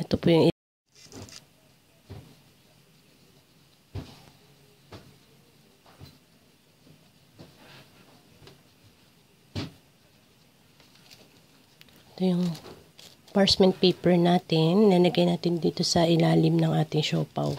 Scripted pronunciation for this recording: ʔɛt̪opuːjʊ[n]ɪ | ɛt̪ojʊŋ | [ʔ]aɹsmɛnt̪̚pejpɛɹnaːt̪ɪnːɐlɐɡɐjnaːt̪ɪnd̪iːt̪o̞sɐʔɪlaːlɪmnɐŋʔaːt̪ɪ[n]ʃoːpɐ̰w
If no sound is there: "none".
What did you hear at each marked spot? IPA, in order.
ŋ, p, ŋ

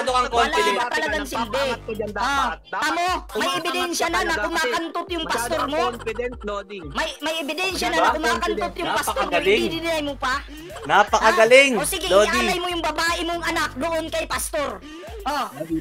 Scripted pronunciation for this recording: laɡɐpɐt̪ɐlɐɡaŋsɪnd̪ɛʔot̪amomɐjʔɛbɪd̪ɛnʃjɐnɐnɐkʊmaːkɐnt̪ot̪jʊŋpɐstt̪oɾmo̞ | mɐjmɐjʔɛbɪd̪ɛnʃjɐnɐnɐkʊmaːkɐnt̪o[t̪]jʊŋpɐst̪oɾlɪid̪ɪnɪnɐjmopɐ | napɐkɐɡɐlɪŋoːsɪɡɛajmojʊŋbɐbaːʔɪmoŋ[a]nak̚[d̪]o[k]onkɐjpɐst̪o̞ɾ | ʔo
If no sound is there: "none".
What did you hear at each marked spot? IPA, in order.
t̪, ɐ, d̪, ʔ

